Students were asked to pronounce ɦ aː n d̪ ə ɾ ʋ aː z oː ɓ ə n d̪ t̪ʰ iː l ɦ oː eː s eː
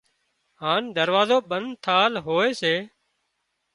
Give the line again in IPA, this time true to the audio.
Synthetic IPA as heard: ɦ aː n d̪ ə ɾ ʋ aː z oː ɓ ə n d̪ t̪ʰ aː l ɦ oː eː s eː